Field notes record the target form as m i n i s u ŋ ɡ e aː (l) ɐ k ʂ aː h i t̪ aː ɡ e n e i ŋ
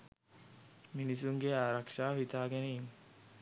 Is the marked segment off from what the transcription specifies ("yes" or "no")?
yes